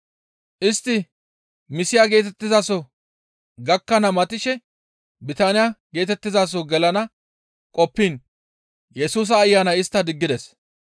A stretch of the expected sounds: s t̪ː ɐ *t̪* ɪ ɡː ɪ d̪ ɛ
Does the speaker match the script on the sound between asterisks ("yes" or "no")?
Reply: no